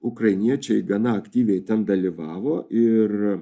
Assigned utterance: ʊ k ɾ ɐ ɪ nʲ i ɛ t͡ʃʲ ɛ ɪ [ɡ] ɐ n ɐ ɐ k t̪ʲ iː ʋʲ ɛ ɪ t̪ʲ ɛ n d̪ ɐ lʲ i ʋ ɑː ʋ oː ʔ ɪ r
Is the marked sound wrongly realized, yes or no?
no